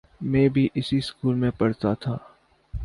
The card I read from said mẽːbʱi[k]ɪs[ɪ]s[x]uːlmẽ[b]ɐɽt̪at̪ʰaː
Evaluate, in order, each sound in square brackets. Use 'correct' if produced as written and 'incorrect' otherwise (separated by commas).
incorrect, incorrect, incorrect, incorrect